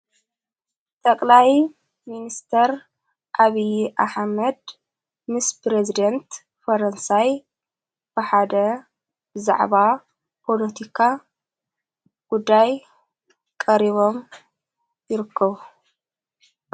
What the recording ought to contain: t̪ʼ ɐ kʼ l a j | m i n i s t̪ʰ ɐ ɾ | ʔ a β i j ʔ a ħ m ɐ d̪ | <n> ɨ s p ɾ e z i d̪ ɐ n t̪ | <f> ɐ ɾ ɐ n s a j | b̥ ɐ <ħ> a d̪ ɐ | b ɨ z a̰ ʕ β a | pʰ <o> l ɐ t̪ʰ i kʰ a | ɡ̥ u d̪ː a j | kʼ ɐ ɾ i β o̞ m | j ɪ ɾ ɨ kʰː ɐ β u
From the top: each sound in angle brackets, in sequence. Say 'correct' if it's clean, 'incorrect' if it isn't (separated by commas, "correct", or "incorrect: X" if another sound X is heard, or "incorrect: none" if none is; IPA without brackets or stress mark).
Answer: incorrect: m, correct, correct, correct